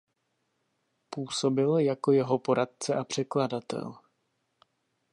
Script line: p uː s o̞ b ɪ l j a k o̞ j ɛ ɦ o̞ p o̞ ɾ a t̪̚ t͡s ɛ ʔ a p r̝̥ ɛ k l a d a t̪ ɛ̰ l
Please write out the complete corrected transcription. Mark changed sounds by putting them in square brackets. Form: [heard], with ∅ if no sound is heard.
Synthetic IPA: p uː s o̞ b ɪ l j a k o̞ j ɛ ɦ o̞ p o̞ ɾ a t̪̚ t͡s ɛ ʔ a p r̝̥ ɛ k l a d a t̪ ɛ̰ l

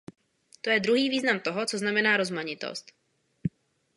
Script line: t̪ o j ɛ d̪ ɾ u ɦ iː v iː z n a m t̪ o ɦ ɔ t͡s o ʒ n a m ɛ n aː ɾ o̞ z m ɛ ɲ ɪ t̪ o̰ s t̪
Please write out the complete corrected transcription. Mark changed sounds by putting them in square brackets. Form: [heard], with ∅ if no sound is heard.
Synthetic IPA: t̪ o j ɛ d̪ ɾ u ɦ iː v iː z n a m t̪ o ɦ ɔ t͡s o [z] n a m ɛ n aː ɾ o̞ z m [a] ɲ ɪ t̪ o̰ s t̪

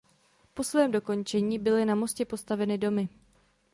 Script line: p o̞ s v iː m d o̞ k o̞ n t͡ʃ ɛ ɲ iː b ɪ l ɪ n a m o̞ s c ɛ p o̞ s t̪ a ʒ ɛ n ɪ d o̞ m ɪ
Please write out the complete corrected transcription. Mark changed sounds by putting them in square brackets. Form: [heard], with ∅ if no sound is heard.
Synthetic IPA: p o̞ s v [ɛː] m d o̞ k o̞ n t͡ʃ ɛ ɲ iː b ɪ l ɪ n a m o̞ s c ɛ p o̞ s t̪ a [v] ɛ n ɪ d o̞ m ɪ

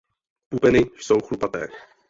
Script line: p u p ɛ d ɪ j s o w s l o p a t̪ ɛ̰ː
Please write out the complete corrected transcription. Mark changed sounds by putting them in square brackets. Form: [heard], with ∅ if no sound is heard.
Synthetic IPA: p u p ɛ [n] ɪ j s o w [x] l [u] p a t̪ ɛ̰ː

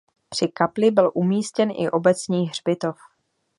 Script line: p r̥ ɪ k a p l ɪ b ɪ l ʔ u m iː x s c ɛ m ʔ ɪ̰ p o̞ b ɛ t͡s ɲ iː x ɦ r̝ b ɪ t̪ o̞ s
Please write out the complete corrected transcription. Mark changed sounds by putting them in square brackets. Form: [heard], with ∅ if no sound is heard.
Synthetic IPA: p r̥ ɪ k a p l ɪ b ɪ l ʔ u m iː [∅] s c ɛ [n] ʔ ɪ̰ [ʔ] o̞ b ɛ t͡s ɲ iː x ɦ r̝ b ɪ t̪ o̞ [f]

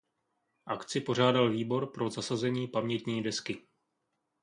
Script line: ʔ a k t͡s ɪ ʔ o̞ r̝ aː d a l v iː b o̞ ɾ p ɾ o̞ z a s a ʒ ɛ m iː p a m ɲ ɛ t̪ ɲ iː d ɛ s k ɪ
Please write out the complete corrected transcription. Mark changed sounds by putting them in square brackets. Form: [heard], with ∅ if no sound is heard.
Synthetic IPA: ʔ a k t͡s ɪ [p] o̞ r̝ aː d a l v iː b o̞ ɾ p ɾ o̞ z a s a [z] ɛ [ɲ] iː p a m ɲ ɛ t̪ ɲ iː d ɛ s k ɪ

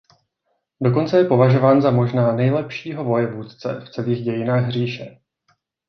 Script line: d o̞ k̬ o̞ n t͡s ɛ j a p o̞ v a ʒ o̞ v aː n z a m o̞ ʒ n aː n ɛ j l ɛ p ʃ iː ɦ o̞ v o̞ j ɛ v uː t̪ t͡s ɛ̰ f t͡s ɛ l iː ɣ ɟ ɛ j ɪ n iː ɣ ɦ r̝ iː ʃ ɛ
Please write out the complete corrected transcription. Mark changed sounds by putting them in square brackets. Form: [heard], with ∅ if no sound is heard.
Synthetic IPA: d o̞ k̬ o̞ n t͡s ɛ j [ɛ] p o̞ v a ʒ o̞ v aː n z a m o̞ ʒ n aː n ɛ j l ɛ p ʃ iː ɦ o̞ v o̞ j ɛ v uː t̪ t͡s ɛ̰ f t͡s ɛ l iː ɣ ɟ ɛ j ɪ n [aː] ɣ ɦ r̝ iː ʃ ɛ

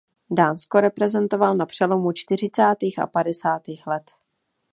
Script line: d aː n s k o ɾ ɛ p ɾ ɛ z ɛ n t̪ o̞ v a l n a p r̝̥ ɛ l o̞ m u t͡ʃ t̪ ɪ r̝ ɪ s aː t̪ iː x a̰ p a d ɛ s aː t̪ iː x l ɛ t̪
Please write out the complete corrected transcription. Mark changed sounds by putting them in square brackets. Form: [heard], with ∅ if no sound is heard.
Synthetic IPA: d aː n s k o ɾ ɛ p ɾ ɛ z ɛ n t̪ o̞ v a l n a p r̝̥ ɛ l o̞ m u t͡ʃ t̪ ɪ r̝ ɪ [t͡s] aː t̪ iː x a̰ p a d ɛ s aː t̪ iː x l ɛ t̪

